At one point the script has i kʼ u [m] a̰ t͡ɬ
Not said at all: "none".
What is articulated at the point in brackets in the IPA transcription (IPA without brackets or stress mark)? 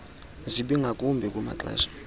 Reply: m